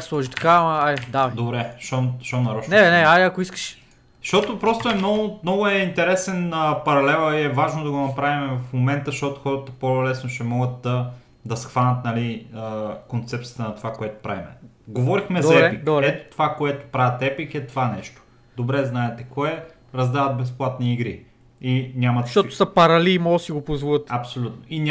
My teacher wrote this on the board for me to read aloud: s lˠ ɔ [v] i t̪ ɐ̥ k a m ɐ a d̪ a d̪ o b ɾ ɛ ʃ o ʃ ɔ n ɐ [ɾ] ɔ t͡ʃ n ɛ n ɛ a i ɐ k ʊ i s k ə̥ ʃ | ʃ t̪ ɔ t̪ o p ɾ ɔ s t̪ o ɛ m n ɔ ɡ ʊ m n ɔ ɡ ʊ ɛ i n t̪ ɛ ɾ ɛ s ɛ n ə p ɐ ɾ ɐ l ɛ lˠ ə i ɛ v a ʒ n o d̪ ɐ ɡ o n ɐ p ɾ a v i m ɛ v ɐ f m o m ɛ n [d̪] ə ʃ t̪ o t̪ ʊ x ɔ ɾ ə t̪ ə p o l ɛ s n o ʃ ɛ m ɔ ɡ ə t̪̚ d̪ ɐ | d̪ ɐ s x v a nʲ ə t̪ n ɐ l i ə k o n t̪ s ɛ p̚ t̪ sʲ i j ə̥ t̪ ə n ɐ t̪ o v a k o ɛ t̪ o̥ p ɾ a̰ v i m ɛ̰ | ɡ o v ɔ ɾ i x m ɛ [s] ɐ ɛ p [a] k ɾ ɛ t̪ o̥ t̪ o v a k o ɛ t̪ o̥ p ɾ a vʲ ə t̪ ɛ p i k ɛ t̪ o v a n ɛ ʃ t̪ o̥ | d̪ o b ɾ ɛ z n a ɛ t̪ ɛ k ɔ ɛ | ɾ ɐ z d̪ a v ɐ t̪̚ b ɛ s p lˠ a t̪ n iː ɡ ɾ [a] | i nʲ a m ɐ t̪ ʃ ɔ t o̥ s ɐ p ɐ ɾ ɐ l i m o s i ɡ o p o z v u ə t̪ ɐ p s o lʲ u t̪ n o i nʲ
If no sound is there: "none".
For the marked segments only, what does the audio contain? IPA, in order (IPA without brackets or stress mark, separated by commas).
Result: ʒ, ɾ, t̪, z, i, i